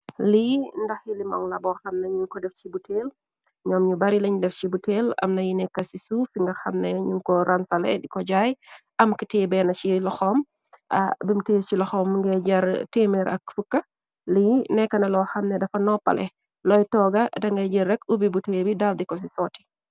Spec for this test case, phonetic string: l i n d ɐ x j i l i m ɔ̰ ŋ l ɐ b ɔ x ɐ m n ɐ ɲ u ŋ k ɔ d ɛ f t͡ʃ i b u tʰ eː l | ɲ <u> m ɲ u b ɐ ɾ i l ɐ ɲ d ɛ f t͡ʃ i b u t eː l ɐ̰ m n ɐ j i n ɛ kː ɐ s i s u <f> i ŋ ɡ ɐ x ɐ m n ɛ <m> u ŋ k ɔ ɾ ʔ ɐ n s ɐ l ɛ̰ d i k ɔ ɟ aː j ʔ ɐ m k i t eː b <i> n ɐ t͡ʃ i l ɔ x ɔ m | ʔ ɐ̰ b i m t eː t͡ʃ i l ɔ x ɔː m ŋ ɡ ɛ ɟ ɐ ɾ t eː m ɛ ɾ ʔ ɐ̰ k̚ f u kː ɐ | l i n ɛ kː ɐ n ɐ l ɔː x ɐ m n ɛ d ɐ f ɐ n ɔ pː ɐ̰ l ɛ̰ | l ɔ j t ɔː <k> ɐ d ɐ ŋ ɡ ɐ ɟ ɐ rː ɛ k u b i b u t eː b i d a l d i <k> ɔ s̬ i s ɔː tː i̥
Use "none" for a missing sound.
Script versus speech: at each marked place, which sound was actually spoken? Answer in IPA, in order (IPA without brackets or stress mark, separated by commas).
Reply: ɔ, f, ɲ, ɛ, ɡ, k